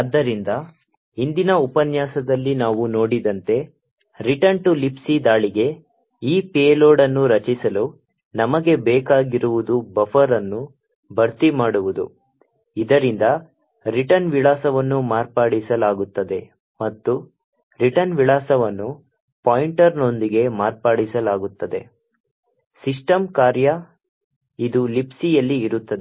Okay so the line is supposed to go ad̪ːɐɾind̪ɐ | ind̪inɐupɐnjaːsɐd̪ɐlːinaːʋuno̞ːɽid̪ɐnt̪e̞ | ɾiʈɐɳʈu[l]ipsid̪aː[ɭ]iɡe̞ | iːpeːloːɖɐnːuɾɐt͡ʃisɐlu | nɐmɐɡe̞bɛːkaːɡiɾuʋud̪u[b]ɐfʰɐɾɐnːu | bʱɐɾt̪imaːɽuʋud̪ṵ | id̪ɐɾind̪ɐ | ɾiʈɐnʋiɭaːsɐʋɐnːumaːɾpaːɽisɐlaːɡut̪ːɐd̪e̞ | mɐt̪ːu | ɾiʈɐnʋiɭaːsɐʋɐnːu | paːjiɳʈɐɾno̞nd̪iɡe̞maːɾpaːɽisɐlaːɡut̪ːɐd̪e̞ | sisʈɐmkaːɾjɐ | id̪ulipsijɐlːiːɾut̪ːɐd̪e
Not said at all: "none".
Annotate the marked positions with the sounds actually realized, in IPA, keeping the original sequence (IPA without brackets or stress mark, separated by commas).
l, ɭ, b